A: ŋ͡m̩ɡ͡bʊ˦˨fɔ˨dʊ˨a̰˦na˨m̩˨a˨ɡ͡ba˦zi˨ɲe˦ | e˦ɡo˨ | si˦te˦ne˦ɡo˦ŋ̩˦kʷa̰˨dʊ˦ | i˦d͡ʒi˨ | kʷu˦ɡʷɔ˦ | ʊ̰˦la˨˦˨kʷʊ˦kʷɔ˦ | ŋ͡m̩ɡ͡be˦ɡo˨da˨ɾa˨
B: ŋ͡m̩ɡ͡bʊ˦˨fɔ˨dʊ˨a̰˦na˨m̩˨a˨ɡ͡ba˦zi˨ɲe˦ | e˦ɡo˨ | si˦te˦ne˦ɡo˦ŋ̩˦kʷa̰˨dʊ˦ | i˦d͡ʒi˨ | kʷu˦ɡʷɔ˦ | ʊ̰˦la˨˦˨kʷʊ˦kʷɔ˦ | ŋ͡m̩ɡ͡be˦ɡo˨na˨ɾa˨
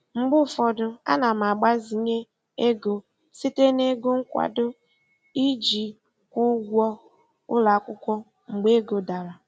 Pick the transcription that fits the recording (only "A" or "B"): A